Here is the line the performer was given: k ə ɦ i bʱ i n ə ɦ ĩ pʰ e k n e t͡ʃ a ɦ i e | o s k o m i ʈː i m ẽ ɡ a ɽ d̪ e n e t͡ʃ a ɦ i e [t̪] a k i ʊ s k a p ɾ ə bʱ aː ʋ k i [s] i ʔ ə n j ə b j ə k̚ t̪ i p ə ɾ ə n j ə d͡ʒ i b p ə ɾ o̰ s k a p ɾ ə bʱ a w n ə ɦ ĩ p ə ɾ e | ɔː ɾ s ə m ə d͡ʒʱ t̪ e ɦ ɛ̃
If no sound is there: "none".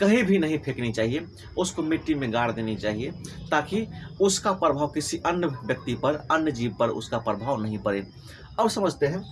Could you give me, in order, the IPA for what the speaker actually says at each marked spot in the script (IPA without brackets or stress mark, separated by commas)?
t̪, s